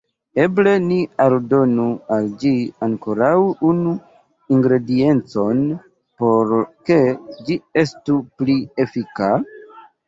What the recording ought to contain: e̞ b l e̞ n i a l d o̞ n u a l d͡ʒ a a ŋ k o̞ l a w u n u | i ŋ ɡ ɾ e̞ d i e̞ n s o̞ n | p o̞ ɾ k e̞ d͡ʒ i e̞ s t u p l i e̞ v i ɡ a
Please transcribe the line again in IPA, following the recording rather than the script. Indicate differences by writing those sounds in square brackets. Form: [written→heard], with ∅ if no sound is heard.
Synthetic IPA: e̞ b l e̞ n i a l d o̞ n u a l d͡ʒ [a→i] a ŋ k o̞ [l→ɾ] a w u n u | i ŋ ɡ ɾ e̞ d i e̞ n [s→t͡s] o̞ n | p o̞ ɾ k e̞ d͡ʒ i e̞ s t u p l i e̞ [v→f] i [ɡ→k] a